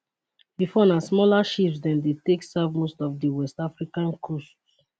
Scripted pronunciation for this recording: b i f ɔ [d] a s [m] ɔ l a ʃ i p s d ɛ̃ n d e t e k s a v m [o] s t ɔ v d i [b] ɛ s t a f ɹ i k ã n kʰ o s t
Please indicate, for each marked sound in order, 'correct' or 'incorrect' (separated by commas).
incorrect, correct, correct, incorrect